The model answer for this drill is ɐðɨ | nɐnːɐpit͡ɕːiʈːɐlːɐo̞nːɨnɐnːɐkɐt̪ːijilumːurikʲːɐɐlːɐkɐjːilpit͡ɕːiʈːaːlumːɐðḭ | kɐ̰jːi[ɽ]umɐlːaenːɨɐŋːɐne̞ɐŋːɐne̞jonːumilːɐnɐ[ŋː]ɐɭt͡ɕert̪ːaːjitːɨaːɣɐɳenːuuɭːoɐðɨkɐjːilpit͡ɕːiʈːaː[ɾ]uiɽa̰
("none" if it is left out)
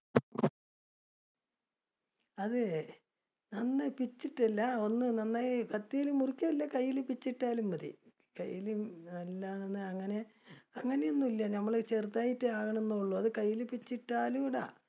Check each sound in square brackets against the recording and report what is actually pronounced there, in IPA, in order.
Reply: l, mː, l

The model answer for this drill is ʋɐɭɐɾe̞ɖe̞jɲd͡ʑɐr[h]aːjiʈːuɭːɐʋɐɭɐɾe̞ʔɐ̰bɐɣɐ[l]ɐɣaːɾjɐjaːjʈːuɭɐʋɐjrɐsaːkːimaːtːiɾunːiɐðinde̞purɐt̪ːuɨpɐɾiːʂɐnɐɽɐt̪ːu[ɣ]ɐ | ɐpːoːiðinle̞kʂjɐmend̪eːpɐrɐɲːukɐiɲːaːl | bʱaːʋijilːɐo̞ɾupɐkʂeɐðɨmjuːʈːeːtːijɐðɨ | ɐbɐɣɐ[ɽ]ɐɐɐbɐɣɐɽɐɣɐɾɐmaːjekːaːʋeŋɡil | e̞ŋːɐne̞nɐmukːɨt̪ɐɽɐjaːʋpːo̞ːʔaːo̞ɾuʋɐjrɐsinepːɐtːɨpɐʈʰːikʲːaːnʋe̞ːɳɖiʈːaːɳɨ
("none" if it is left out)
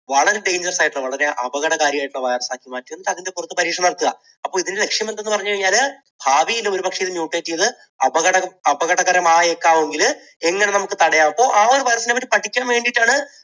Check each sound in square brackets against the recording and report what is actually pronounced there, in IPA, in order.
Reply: s, ɽ, ɣ, ɽ

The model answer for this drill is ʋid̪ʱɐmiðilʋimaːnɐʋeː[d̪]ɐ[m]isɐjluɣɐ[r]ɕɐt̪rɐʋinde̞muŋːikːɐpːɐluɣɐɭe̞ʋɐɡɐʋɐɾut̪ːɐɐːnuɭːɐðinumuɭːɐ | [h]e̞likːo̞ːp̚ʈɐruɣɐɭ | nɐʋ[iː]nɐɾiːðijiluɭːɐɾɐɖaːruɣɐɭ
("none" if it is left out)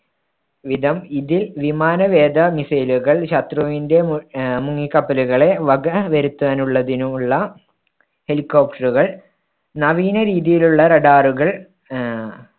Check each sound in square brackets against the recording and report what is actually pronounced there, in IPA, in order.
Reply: d̪, m, ɭ, h, iː

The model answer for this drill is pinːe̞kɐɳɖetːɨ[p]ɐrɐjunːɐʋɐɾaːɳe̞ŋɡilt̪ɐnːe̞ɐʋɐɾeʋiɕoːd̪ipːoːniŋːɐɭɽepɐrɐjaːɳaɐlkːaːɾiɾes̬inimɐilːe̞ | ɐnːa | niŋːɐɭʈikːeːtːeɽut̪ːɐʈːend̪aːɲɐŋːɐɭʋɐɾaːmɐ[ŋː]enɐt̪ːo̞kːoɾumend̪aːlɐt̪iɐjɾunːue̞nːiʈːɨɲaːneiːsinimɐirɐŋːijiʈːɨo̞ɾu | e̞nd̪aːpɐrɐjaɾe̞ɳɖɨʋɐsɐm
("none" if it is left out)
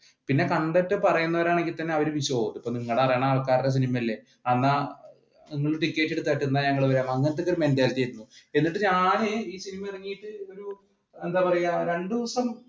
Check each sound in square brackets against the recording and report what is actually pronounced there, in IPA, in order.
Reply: p, ŋː

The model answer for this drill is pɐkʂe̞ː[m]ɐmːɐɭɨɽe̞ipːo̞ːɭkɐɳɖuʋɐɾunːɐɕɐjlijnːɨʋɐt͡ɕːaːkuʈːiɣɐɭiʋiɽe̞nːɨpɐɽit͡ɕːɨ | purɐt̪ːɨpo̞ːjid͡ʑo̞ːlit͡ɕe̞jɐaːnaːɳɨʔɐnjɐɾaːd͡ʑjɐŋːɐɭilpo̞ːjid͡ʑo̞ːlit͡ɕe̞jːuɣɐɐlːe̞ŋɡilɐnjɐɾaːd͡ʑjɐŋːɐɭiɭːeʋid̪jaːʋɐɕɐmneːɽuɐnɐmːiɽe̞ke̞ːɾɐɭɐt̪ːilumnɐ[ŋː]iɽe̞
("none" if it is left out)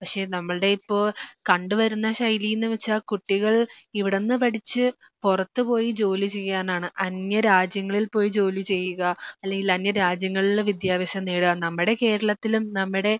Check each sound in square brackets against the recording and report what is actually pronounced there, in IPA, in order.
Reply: n, mː

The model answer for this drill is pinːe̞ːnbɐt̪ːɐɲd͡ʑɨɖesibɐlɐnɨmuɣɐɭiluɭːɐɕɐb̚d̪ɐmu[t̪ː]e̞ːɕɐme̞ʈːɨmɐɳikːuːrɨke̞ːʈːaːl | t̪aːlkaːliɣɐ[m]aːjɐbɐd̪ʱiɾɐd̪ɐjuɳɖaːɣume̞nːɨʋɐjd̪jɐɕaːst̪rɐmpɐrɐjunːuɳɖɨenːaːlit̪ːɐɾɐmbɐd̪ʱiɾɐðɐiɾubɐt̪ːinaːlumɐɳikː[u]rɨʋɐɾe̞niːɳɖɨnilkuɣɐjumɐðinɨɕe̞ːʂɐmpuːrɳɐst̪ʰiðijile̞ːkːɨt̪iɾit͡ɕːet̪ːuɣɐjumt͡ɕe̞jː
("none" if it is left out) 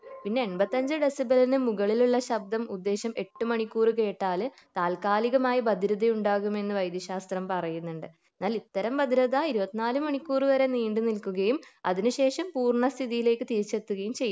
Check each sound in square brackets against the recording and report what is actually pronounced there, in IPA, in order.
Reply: d̪ː, m, uː

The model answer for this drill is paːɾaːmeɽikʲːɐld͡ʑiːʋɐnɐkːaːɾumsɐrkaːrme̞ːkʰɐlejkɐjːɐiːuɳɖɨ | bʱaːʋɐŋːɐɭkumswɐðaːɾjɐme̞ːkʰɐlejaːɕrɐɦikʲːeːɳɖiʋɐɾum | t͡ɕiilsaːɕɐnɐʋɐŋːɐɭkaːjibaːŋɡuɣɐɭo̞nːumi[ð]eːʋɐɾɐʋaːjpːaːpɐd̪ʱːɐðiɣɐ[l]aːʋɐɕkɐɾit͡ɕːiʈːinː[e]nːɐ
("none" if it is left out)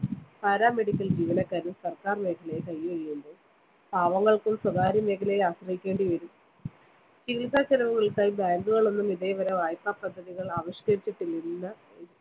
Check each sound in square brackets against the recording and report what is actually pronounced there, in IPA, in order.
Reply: ð, ɭ, i

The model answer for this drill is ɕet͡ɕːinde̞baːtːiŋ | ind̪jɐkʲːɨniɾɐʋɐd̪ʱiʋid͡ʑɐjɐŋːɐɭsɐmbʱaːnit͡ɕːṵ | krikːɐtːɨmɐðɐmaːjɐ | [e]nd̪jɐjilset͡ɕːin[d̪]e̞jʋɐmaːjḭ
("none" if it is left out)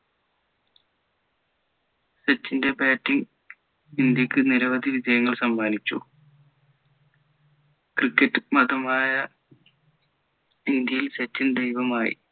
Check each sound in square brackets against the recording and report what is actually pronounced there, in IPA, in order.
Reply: i, d̪

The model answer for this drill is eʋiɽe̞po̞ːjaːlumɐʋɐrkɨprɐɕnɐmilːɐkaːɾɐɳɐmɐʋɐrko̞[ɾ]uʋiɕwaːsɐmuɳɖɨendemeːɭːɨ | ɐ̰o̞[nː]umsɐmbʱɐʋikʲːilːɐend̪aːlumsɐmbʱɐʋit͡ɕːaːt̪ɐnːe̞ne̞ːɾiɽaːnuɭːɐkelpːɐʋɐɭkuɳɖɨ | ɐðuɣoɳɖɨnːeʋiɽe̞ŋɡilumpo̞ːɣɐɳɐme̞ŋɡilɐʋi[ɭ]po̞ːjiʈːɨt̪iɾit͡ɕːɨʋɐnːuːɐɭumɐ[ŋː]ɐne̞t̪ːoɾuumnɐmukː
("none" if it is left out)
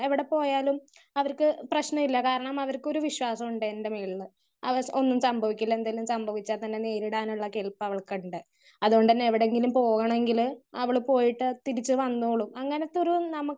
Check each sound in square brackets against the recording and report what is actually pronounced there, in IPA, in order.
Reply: ɾ, nː, ɭ, ŋː

